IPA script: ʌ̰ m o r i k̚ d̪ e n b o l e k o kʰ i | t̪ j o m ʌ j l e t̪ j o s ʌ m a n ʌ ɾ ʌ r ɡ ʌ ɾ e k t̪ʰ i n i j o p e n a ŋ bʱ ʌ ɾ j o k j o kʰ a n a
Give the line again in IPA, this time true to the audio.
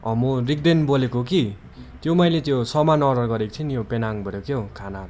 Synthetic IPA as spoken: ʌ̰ m o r i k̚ d̪ e n b o l e k o k i | t̪ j o m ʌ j l e t̪ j o s ʌ m a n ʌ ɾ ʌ r ɡ ʌ ɾ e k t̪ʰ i n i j o p e n a ŋ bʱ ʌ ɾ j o k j o kʰ a n a